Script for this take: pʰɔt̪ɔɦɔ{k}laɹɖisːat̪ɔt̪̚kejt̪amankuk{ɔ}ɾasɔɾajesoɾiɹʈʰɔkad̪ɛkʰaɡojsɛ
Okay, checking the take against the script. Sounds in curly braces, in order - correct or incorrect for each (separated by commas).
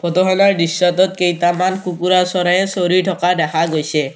incorrect, incorrect